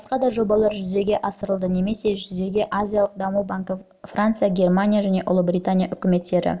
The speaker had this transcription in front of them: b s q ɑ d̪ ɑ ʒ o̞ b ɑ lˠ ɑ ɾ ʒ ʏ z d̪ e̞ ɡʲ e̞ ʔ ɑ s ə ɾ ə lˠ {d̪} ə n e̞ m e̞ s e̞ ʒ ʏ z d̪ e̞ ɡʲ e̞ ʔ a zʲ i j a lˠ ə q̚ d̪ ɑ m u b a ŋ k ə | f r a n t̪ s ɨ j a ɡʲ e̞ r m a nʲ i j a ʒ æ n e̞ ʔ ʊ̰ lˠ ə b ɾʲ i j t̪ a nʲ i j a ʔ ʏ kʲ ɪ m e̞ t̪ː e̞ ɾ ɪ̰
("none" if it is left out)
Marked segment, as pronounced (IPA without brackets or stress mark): d̪